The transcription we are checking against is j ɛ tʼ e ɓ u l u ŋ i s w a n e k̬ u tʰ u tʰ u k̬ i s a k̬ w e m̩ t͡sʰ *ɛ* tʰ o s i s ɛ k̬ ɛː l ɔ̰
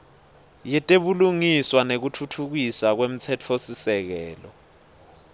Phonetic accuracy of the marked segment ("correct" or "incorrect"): correct